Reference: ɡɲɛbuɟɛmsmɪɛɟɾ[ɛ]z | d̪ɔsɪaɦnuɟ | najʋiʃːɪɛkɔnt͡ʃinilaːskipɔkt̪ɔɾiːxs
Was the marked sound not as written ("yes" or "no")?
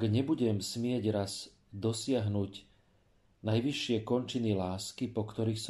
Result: yes